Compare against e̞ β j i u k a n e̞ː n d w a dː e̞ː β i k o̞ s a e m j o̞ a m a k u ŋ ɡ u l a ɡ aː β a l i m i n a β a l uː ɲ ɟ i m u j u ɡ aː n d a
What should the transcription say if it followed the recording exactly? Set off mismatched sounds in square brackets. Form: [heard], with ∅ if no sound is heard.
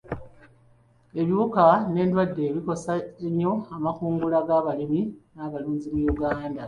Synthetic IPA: e̞ β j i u k a n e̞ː n d w a dː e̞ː β i k o̞ s a e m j o̞ a m a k [uː] ŋ ɡ u l a ɡ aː β a l i m i n a β a l uː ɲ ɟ i m u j u ɡ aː n d a